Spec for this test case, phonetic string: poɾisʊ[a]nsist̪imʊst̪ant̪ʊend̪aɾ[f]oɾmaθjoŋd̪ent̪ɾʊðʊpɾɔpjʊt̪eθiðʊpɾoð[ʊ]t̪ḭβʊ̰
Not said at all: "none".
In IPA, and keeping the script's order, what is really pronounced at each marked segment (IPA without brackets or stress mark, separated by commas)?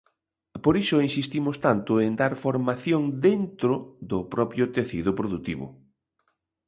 i, f, u